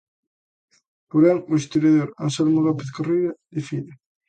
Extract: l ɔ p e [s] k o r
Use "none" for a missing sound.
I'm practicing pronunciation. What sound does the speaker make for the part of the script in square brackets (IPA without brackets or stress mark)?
θ